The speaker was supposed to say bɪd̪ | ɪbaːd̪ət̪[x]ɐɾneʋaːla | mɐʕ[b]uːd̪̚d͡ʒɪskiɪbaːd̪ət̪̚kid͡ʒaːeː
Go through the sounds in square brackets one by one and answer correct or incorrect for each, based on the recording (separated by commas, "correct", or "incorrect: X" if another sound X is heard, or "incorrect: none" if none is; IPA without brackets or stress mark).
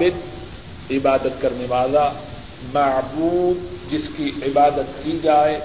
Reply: incorrect: k, correct